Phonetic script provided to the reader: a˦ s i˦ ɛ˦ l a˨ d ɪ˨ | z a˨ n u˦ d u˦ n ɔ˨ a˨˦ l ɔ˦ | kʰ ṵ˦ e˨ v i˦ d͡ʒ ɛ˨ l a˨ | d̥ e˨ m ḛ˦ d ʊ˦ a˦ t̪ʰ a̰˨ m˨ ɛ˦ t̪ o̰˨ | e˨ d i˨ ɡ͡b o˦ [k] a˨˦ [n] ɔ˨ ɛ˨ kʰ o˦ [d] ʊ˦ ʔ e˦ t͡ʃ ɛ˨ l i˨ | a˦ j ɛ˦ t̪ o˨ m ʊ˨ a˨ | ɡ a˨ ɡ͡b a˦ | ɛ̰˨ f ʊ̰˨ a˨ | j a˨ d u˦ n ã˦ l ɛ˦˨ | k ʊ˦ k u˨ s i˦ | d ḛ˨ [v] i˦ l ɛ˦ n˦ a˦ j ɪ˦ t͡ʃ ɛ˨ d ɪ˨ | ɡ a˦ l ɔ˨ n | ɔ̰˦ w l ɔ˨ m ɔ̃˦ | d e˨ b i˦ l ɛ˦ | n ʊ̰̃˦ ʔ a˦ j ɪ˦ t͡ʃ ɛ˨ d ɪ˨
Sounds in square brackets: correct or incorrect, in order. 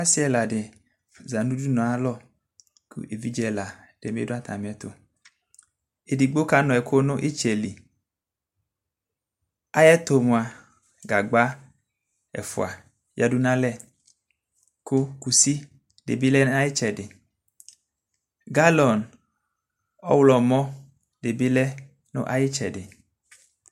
correct, correct, incorrect: n, incorrect: b

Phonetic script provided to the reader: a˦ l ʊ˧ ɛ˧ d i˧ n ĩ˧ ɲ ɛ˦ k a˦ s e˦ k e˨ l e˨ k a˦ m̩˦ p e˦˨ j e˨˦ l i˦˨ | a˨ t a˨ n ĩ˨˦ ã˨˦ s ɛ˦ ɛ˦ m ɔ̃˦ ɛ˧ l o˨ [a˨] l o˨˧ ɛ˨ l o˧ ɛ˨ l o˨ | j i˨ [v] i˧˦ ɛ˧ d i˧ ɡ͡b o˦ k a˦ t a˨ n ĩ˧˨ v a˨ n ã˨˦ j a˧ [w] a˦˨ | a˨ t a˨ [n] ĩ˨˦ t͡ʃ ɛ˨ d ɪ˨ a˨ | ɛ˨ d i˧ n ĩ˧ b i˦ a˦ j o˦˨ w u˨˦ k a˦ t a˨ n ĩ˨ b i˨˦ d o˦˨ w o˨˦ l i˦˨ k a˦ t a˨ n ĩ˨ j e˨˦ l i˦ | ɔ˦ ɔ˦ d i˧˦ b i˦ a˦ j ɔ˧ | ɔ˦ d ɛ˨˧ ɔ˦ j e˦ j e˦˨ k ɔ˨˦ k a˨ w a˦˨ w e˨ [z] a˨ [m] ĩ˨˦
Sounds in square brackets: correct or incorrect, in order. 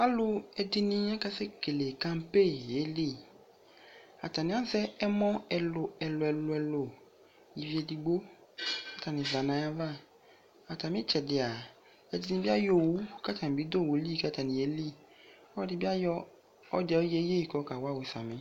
incorrect: ɛ˨, correct, incorrect: v, incorrect: m, incorrect: s, correct

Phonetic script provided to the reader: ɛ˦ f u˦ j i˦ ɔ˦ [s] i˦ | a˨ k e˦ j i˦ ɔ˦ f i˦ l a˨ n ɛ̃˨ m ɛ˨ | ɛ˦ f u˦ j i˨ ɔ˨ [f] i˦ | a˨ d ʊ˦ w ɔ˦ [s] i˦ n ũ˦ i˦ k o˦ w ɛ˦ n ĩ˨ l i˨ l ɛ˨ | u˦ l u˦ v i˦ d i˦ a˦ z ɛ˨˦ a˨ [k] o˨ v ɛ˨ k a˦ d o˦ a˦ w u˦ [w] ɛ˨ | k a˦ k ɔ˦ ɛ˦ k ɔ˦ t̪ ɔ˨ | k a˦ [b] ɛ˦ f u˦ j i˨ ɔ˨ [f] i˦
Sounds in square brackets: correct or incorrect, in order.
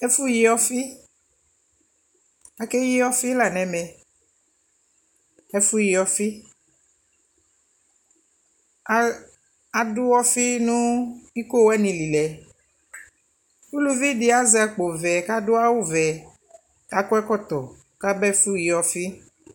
incorrect: f, correct, incorrect: f, incorrect: k͡p, incorrect: v, correct, correct

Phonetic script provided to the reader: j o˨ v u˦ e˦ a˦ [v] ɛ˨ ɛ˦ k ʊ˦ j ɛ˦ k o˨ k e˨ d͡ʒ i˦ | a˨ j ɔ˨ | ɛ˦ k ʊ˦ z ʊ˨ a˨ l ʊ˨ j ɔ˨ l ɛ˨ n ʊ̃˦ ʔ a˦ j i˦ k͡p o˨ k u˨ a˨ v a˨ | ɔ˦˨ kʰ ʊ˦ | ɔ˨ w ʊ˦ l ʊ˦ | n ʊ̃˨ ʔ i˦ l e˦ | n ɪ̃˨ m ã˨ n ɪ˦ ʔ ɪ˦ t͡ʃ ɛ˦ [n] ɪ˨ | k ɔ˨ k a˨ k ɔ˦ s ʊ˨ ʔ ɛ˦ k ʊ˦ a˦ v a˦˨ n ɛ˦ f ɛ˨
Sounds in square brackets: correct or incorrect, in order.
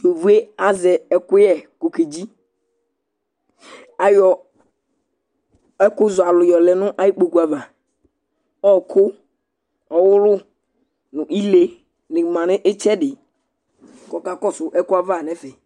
incorrect: z, incorrect: d

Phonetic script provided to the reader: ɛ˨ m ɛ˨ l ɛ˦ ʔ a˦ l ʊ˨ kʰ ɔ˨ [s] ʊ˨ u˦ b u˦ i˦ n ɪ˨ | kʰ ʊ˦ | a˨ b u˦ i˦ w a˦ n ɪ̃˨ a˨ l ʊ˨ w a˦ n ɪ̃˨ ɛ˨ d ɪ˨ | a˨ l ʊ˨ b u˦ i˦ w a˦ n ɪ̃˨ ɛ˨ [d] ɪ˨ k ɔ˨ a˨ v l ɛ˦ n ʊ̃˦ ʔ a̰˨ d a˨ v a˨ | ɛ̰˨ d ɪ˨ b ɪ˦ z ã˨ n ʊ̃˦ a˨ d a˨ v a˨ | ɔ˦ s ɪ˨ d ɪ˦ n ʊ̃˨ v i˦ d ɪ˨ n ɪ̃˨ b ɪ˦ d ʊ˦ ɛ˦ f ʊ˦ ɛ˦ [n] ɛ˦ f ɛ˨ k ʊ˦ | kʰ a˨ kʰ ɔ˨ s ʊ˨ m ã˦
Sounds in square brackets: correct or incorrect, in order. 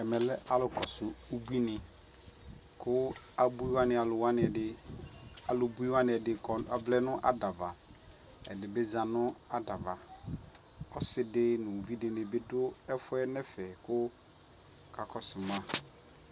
correct, correct, correct

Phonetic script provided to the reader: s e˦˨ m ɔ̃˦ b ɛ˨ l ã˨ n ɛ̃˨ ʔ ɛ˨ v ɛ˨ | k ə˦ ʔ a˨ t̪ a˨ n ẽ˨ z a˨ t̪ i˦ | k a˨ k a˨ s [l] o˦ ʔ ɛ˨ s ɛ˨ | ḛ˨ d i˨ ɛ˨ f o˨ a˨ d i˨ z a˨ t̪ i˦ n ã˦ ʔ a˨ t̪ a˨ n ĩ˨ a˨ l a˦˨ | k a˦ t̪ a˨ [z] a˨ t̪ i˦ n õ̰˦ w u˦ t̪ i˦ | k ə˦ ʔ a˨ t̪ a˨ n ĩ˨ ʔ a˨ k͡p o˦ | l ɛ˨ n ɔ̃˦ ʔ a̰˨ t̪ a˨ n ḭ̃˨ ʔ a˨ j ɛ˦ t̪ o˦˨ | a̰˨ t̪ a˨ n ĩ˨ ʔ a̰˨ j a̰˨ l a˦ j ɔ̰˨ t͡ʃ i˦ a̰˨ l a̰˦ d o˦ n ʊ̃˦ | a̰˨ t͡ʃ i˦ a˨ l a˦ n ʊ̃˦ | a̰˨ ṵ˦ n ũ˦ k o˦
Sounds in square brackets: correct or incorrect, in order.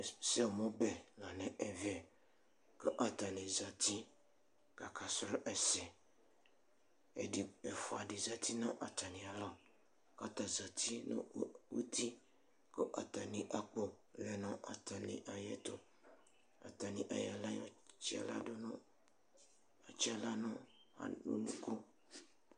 incorrect: ɾ, correct

